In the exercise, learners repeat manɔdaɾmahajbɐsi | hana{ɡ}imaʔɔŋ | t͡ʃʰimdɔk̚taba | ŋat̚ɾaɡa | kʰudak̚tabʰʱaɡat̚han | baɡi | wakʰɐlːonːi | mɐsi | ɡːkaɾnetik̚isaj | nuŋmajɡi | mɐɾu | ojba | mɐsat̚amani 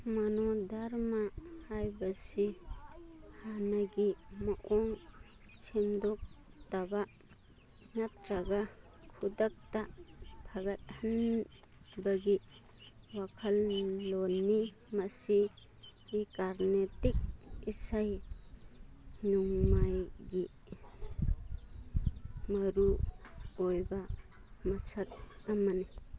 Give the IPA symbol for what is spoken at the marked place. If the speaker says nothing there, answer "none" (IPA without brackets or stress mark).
ɡ